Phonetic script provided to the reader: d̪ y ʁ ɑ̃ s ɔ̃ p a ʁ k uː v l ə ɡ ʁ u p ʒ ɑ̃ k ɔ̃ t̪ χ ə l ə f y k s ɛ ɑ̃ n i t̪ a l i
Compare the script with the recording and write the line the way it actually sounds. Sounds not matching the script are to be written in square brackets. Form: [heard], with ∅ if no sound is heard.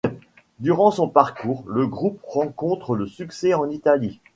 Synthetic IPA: d̪ y ʁ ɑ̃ s ɔ̃ p a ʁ k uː [ʁ] l ə ɡ ʁ u p [ʁ] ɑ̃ k ɔ̃ t̪ χ ə l ə [s] y k s ɛ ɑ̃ n i t̪ a l i

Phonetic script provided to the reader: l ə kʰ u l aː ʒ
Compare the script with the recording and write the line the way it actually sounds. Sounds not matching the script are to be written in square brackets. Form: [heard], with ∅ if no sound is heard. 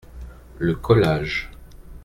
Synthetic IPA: l ə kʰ [ɔ] l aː ʒ

